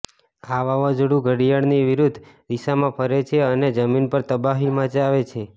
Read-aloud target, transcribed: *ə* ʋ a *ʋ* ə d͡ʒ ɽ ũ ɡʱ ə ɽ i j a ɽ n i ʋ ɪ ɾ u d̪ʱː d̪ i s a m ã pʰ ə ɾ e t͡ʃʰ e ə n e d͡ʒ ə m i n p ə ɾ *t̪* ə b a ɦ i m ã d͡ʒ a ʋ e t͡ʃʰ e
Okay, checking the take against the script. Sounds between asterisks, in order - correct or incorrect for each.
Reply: incorrect: a, correct, correct

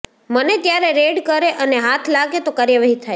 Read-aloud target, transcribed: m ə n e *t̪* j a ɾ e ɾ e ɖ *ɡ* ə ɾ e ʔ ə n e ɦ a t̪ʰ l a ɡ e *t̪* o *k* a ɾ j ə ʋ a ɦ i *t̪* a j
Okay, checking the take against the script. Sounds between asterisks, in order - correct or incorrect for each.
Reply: correct, incorrect: k, correct, correct, incorrect: t̪ʰ

